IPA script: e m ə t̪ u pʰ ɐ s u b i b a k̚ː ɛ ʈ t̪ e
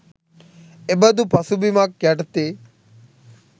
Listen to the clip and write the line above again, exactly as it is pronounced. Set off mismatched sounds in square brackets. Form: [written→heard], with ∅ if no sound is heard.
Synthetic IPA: e [m→b] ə [t̪→d̪] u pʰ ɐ s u b i [b→m] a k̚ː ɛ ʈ t̪ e